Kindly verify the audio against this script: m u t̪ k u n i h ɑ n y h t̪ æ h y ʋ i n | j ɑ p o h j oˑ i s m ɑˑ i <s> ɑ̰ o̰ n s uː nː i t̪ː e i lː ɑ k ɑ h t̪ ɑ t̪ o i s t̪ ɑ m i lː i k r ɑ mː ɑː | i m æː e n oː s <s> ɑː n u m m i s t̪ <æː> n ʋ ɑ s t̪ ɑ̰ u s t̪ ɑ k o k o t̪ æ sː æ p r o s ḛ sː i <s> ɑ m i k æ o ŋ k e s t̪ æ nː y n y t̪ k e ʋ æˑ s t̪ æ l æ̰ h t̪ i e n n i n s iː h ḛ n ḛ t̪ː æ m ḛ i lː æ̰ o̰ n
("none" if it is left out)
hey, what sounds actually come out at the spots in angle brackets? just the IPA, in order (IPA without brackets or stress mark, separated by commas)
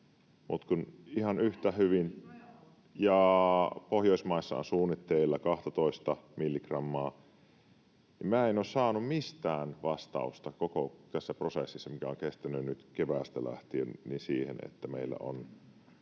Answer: sː, s, æː, sː